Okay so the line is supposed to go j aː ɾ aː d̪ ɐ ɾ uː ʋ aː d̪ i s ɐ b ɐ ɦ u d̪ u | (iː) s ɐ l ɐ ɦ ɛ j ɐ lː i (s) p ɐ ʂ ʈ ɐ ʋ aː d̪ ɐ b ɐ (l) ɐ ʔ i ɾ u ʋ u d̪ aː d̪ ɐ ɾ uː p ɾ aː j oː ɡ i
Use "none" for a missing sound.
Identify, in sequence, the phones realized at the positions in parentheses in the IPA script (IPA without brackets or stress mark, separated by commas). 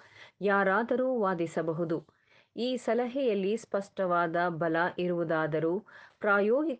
iː, s, l